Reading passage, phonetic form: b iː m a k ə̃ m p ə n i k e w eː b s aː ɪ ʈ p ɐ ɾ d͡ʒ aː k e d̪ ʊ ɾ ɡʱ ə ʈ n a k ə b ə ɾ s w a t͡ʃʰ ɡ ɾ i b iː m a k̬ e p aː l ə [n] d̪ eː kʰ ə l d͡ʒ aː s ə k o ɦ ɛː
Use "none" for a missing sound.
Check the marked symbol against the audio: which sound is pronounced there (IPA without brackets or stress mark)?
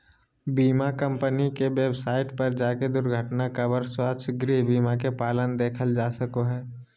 n